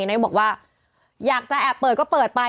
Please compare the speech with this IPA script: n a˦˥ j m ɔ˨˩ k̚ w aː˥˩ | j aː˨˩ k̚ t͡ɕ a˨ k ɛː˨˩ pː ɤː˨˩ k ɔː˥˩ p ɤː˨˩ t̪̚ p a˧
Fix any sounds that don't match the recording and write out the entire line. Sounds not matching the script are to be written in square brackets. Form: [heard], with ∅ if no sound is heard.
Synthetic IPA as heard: n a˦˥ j [b] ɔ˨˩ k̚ w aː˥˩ | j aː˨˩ k̚ t͡ɕ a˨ [ʔ] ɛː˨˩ pː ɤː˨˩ k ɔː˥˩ p ɤː˨˩ t̪̚ p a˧

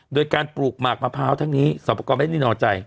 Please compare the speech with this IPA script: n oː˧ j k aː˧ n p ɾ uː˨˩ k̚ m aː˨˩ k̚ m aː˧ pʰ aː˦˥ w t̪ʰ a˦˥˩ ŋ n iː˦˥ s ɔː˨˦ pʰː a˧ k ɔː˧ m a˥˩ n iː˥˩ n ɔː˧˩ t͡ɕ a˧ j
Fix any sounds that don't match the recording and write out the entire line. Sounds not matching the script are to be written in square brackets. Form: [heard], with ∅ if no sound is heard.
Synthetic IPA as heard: [d] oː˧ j k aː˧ n p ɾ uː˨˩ k̚ m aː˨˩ k̚ m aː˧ pʰ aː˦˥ w t̪ʰ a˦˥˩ ŋ n iː˦˥ s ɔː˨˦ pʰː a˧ k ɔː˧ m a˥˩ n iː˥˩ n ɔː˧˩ t͡ɕ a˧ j

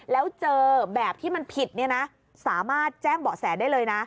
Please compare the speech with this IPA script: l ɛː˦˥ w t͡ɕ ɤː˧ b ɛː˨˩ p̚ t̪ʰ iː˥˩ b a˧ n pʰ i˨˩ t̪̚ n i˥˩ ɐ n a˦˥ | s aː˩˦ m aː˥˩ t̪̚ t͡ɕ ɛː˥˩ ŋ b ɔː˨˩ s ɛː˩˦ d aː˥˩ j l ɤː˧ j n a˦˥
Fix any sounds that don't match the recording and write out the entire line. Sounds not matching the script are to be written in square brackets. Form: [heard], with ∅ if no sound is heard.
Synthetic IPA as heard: l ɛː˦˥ w t͡ɕ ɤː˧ b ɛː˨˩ p̚ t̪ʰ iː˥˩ [m] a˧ n pʰ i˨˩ t̪̚ n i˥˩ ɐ n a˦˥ | s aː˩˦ m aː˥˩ t̪̚ t͡ɕ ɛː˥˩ ŋ b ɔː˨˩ s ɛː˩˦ d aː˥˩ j l ɤː˧ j n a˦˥

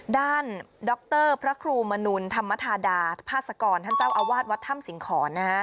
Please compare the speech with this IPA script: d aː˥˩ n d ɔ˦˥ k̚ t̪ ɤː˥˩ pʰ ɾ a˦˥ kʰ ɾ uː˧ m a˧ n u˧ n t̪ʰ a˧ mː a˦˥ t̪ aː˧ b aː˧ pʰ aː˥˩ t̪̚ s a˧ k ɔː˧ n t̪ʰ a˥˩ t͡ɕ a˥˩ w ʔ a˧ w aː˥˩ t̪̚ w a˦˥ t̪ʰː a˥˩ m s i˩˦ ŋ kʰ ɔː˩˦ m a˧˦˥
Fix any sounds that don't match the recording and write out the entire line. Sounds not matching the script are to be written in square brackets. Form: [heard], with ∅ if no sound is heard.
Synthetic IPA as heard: d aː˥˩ n d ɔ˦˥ k̚ t̪ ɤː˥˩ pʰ ɾ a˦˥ kʰ ɾ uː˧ m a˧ n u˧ n t̪ʰ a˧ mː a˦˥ [t̪ʰ] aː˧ [d] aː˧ pʰ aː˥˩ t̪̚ s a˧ k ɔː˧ n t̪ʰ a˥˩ t͡ɕ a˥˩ w ʔ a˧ w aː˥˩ t̪̚ w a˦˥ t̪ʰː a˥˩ m s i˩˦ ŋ kʰ ɔː˩˦ [n] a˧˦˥

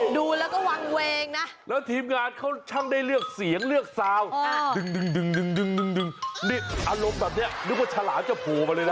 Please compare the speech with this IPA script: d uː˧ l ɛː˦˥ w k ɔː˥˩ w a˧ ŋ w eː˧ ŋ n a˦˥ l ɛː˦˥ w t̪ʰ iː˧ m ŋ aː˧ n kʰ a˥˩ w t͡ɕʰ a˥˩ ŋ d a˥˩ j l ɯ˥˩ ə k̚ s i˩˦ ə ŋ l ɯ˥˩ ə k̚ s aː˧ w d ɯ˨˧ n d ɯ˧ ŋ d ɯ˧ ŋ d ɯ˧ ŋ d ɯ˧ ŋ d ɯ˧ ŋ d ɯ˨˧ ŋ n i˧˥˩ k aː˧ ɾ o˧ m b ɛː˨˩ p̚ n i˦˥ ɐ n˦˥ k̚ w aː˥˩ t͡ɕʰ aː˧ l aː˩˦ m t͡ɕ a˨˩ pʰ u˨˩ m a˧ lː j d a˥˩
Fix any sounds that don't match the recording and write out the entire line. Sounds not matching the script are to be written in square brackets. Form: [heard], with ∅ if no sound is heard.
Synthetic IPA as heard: d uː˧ l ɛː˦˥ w k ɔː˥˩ w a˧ ŋ w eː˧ ŋ n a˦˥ l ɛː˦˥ w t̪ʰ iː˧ m ŋ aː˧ n kʰ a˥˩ w t͡ɕʰ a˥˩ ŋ d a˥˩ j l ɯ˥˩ ə k̚ s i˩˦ ə ŋ l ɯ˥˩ ə k̚ s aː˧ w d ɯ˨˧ [ŋ] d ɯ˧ ŋ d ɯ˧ ŋ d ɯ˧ ŋ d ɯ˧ ŋ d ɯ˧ ŋ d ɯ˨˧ ŋ n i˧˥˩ [ʔ] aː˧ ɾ o˧ m b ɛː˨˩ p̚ n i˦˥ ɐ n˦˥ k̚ w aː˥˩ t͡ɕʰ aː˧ l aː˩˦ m t͡ɕ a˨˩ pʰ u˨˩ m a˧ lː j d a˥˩

